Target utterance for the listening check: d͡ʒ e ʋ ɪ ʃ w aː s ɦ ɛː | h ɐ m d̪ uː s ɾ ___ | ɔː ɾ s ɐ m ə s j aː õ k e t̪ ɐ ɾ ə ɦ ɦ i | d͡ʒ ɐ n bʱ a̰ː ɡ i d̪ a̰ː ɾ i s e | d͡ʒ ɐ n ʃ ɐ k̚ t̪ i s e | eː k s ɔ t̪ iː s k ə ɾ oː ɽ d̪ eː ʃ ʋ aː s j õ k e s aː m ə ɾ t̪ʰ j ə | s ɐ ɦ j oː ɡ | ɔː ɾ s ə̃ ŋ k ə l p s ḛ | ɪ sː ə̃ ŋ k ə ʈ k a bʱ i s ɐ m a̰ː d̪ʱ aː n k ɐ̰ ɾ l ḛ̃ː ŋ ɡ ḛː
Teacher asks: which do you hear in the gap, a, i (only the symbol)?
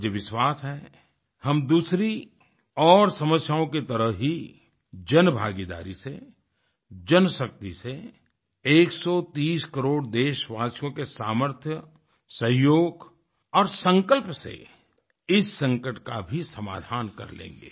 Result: i